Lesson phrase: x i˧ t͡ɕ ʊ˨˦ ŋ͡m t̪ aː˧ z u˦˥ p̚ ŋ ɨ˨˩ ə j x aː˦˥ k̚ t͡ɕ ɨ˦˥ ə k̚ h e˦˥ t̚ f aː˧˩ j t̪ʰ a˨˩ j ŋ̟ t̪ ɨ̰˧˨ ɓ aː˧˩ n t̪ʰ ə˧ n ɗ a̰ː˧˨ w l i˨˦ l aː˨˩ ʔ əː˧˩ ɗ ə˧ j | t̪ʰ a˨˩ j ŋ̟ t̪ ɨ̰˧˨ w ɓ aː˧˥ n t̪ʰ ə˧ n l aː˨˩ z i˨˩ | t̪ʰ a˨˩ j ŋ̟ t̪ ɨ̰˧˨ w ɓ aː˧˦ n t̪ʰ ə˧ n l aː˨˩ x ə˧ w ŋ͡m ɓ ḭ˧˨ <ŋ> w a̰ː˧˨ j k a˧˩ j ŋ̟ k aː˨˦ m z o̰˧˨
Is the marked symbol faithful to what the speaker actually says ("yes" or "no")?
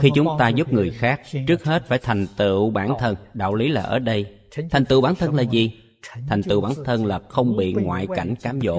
yes